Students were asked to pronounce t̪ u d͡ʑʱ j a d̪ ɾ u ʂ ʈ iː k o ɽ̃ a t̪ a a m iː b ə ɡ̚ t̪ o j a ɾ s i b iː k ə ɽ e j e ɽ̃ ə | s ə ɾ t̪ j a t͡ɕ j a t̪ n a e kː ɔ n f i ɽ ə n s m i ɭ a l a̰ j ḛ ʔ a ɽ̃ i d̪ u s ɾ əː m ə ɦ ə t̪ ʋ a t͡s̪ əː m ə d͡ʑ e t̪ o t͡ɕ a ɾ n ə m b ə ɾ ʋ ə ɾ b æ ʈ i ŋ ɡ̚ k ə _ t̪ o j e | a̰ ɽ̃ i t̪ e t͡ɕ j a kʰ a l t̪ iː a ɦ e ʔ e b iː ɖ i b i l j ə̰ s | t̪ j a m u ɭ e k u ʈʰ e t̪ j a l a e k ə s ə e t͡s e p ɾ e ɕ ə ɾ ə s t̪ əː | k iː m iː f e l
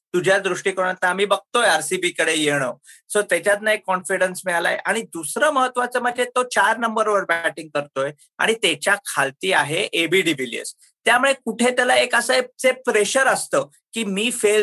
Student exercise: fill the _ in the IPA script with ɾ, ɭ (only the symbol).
ɾ